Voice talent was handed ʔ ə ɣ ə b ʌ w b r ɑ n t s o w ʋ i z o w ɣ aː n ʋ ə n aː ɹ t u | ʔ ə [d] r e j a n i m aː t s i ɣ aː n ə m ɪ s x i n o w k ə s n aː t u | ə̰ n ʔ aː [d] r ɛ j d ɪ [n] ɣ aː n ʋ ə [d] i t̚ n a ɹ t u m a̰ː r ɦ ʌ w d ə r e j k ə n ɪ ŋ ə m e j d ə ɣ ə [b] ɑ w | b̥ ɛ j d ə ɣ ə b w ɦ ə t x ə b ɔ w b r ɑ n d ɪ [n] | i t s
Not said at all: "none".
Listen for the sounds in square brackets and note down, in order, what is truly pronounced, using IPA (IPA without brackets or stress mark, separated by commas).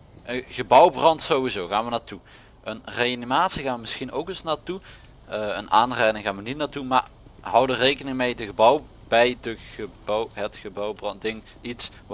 n, n, ŋ, n, b, ŋ